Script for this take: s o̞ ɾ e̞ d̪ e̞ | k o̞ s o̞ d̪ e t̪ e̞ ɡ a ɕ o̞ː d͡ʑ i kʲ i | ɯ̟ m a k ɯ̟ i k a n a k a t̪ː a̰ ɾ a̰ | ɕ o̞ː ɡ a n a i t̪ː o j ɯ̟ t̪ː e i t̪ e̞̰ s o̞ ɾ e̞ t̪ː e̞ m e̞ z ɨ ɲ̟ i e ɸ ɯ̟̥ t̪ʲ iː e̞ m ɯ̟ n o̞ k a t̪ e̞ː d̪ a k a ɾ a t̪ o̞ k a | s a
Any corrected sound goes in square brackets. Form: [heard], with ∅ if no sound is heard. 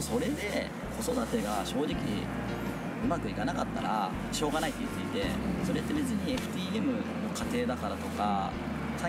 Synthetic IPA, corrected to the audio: s o̞ ɾ e̞ d̪ e̞ | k o̞ s o̞ d̪ [a] t̪ e̞ ɡ a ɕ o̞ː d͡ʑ i kʲ i | ɯ̟ m a k ɯ̟ i k a n a k a t̪ː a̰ ɾ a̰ | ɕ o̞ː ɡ a n a i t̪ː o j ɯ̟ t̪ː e i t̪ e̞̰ s o̞ ɾ e̞ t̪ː e̞ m e̞ z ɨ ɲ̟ i e ɸ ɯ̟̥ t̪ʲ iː e̞ m ɯ̟ n o̞ k a t̪ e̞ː d̪ a k a ɾ a t̪ o̞ k a | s a